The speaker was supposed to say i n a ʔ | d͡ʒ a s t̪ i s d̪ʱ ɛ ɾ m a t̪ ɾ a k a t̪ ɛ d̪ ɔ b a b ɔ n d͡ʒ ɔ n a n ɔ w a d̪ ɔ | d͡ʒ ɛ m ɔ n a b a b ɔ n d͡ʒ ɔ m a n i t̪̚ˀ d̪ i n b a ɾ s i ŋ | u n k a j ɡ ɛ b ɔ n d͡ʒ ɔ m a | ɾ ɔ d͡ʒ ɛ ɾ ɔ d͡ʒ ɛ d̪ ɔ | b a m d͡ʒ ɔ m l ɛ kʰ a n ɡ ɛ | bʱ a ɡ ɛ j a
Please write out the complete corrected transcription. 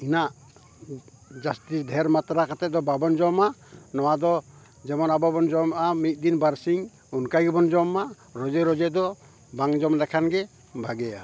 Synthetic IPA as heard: i n a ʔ | d͡ʒ a s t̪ i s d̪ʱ ɛ ɾ m a t̪ ɾ a k a t̪ ɛ d̪ ɔ b a b ɔ n d͡ʒ ɔ m a n ɔ w a d̪ ɔ | d͡ʒ ɛ m ɔ n a b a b ɔ n d͡ʒ ɔ m a m i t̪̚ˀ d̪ i n b a ɾ s i ŋ | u n k a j ɡ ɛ b ɔ n d͡ʒ ɔ m a | ɾ ɔ d͡ʒ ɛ ɾ ɔ d͡ʒ ɛ d̪ ɔ | b a ŋ d͡ʒ ɔ m l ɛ kʰ a n ɡ ɛ | bʱ a ɡ ɛ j a